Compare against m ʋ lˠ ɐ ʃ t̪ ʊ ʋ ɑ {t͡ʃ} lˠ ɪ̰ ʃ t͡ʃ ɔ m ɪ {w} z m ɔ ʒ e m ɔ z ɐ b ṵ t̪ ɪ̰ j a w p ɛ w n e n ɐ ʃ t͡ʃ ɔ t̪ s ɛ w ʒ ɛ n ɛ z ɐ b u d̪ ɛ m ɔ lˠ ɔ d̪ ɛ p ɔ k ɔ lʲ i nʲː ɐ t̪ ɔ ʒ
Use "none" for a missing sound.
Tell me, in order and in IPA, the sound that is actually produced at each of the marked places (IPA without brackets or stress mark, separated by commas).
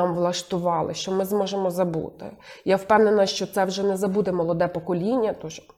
none, none